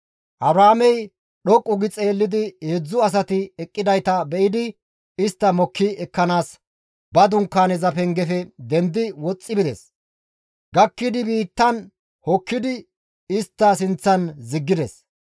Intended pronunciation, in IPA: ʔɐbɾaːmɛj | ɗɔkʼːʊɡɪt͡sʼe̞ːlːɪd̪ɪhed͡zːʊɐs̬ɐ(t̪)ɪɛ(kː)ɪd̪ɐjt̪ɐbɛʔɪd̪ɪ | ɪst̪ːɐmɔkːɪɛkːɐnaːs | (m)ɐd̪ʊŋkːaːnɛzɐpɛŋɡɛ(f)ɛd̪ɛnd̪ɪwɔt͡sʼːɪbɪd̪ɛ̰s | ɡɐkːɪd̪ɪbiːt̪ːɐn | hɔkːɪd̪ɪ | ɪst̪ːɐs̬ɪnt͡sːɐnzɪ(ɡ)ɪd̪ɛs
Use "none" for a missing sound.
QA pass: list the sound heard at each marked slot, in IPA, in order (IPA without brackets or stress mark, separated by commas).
t̪, kʼː, b, f, ɡː